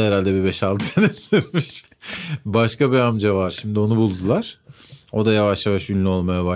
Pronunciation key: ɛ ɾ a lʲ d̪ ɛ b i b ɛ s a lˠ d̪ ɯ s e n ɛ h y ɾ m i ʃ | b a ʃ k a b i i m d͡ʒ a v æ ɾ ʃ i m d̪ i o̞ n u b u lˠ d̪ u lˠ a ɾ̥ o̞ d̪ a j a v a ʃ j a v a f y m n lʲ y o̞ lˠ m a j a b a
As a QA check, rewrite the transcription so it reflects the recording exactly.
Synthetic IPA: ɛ ɾ a lʲ d̪ ɛ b i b ɛ ʃ a lˠ d̪ ɯ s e n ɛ s y ɾ m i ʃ | b a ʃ k a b i a m d͡ʒ a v a ɾ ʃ i m d̪ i o̞ n u b u lˠ d̪ u lˠ a ɾ̥ o̞ d̪ a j a v a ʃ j a v a ʃ y n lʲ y o̞ lˠ m a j a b a